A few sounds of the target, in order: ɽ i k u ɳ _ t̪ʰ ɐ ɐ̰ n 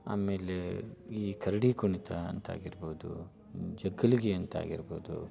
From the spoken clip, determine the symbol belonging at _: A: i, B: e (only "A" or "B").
A